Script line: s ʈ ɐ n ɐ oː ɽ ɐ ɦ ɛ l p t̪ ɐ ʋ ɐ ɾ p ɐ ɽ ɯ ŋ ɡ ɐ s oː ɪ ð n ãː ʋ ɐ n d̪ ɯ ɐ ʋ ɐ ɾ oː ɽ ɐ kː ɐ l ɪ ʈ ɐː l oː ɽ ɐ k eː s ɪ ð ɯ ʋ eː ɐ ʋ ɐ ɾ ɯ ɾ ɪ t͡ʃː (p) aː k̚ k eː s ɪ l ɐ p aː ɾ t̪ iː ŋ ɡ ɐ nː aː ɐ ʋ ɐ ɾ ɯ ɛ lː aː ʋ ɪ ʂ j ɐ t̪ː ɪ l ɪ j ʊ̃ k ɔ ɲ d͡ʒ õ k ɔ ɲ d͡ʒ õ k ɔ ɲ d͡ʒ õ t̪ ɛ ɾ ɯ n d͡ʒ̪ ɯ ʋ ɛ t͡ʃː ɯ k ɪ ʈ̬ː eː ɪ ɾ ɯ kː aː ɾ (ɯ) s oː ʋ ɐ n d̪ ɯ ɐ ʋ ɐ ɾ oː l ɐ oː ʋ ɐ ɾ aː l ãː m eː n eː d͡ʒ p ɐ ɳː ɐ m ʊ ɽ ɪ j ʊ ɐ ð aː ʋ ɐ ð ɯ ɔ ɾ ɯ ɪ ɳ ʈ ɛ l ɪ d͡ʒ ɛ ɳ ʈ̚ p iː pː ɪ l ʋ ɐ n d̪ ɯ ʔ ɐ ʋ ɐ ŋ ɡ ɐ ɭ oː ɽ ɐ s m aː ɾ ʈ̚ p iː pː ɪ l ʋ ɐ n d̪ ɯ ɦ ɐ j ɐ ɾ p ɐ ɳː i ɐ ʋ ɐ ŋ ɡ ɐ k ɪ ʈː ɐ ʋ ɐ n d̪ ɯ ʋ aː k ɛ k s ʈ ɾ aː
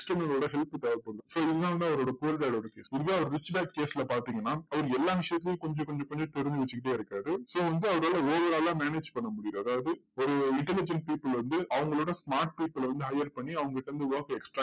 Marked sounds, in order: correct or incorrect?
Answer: incorrect, correct

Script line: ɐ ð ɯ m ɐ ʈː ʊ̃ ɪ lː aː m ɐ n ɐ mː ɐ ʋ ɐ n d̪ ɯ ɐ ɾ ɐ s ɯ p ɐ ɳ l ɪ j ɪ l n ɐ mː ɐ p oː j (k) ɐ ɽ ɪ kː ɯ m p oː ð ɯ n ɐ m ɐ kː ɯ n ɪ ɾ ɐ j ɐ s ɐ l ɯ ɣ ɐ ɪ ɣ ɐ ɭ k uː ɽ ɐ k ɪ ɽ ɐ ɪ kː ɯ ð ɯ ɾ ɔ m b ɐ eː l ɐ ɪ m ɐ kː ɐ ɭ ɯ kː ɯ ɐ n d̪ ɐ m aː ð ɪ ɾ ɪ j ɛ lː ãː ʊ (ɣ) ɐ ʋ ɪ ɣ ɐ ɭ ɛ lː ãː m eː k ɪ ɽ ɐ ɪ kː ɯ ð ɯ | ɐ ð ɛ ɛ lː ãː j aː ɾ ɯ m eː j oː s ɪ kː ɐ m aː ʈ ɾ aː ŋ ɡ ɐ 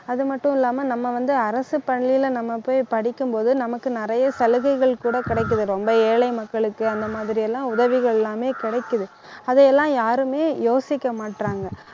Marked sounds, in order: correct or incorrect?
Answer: incorrect, incorrect

